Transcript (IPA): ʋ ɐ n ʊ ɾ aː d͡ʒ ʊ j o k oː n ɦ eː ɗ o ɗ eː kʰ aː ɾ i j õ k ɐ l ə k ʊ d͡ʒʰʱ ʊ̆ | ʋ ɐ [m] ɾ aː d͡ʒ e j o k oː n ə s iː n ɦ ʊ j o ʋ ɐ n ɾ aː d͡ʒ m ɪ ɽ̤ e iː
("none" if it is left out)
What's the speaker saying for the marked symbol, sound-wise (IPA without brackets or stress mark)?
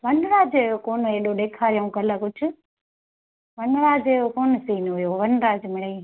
n